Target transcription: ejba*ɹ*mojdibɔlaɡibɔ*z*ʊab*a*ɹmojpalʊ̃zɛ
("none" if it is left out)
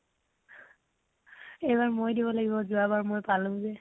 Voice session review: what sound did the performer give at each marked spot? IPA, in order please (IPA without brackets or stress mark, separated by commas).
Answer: ɹ, z, a